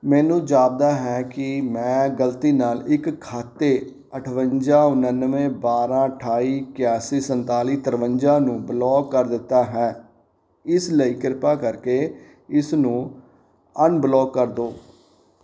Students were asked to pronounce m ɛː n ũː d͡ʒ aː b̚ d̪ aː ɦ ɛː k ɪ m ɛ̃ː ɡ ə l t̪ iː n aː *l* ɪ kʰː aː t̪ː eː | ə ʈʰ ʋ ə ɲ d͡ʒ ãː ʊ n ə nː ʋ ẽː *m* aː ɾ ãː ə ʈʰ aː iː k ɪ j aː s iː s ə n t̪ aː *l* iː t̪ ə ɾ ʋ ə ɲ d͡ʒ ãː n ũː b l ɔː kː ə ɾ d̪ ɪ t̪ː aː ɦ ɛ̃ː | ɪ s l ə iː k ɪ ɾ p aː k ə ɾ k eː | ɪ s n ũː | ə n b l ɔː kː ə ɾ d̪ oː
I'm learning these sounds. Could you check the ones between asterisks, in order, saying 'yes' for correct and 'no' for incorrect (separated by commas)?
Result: yes, no, yes